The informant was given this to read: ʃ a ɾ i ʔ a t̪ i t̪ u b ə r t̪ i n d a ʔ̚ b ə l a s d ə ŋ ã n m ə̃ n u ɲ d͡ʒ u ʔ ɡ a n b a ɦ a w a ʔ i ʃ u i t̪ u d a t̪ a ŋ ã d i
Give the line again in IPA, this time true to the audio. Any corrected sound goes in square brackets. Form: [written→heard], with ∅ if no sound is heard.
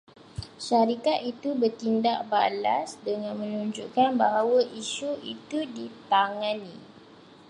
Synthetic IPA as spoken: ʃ a ɾ i [ʔ→k] a t̪ i t̪ u b ə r t̪ i n d a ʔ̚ b [ə→a] l a s d ə ŋ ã n m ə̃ n u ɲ d͡ʒ u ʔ [ɡ→k] a n b a ɦ a w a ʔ i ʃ u i t̪ u d [a→i] t̪ a ŋ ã [d→n] i